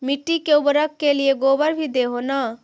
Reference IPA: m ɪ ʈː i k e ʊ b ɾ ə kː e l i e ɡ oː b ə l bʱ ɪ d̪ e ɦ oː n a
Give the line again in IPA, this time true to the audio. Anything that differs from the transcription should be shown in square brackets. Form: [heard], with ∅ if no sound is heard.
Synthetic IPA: m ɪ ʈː i k e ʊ b ɾ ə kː e l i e ɡ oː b ə [ɾ] bʱ [i] d̪ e ɦ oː n a